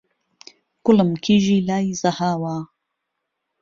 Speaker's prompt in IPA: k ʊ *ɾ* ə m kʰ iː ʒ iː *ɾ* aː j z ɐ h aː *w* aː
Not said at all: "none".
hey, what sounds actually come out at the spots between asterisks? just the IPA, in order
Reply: l, l, w

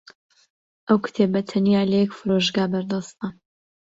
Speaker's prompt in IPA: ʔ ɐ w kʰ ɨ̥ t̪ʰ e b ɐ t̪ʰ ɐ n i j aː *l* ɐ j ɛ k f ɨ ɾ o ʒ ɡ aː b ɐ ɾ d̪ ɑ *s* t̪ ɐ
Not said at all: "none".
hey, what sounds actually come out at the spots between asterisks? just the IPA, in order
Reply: l, s

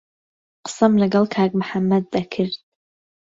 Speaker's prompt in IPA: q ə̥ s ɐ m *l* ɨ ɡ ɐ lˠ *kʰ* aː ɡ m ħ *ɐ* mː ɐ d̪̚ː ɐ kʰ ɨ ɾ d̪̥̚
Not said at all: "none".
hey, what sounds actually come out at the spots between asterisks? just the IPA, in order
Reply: l, kʰ, a

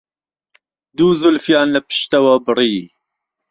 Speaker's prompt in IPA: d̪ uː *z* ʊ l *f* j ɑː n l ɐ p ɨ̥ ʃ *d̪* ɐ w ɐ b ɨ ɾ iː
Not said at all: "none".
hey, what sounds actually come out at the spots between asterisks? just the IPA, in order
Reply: z, f, t̪

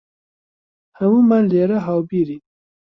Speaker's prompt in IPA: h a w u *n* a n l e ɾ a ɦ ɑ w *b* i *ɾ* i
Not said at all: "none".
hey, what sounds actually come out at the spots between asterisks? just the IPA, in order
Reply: m, b, ɾ

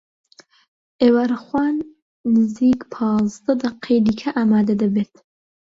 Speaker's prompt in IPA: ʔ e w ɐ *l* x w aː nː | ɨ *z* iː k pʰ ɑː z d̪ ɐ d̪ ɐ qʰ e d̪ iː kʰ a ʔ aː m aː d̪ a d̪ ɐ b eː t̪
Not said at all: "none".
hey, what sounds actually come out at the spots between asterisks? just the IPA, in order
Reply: ɾ, z

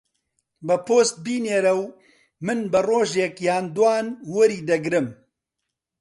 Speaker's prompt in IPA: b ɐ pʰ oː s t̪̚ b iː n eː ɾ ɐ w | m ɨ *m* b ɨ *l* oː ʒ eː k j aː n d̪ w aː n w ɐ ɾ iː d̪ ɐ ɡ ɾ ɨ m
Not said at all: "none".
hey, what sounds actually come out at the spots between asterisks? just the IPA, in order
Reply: n, r

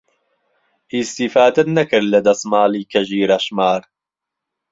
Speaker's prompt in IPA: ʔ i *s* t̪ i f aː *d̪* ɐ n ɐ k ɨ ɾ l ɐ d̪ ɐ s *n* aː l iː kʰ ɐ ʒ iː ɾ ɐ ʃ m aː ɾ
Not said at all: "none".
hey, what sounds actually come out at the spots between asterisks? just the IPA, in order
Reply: s, d̪, m

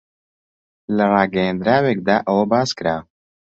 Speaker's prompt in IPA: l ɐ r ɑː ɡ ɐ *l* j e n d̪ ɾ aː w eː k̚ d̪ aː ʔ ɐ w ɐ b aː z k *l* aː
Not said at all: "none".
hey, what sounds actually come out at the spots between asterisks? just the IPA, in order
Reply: none, ɾ

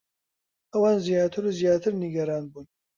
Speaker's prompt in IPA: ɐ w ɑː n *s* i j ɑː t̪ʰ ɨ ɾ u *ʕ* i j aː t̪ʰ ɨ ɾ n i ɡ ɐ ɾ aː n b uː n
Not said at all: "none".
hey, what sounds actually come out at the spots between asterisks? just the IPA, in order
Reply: z, z

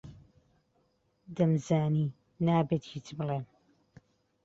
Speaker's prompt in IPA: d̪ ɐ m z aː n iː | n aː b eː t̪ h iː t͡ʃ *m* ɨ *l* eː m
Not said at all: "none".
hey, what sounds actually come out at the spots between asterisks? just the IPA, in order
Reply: b, l

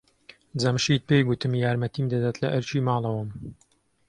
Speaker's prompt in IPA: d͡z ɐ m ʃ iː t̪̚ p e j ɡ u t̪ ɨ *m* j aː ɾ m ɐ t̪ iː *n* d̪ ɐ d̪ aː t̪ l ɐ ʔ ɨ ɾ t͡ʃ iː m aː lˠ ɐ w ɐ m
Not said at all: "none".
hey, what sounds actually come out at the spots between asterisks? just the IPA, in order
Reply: m, m

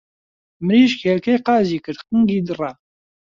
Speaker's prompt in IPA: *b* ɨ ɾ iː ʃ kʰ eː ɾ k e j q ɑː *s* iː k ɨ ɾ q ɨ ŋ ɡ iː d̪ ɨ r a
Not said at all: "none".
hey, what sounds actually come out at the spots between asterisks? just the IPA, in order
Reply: m, z

